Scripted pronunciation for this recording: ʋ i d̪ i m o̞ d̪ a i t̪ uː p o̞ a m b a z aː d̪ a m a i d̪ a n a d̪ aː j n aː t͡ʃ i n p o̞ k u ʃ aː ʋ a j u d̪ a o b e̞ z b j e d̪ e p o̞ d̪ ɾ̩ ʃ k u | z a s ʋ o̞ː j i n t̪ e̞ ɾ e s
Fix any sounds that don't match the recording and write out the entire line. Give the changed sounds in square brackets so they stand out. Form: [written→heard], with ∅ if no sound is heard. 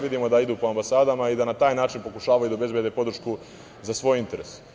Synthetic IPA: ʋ i d̪ i m o̞ d̪ a i [t̪→d̪] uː p o̞ a m b a [z→s] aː d̪ a m a i d̪ a n a [d̪→t̪] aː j n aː t͡ʃ i n p o̞ k u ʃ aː ʋ a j u d̪ a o b e̞ z b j e d̪ e p o̞ d̪ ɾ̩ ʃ k u | z a s ʋ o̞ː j i n t̪ e̞ ɾ e s